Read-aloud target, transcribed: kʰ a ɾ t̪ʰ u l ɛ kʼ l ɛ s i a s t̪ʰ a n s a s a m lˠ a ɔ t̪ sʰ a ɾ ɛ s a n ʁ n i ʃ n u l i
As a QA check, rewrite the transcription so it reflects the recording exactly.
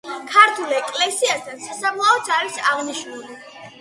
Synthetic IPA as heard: kʰ a ɾ t̪ʰ u l ɛ kʼ l ɛ s i a s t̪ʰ a n s a s a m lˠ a ɔ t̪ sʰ a ɾ i s a ʁ n i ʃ n u l i